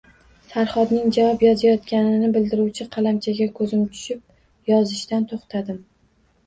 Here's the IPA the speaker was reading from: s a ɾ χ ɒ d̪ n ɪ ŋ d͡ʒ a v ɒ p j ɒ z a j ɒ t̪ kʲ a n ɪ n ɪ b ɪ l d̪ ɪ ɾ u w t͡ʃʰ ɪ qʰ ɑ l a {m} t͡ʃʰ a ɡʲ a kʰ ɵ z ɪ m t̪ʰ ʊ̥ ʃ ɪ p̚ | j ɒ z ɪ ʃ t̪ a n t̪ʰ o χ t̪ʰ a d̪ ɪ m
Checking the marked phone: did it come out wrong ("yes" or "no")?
no